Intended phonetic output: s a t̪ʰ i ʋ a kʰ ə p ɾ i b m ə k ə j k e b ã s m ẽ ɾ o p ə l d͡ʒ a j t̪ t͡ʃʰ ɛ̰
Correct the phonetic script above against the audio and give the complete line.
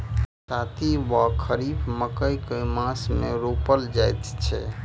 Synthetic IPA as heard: s a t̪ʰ i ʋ a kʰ ə ɾ i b m ə k ə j k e m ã s m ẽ ɾ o p ə l d͡ʒ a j t̪ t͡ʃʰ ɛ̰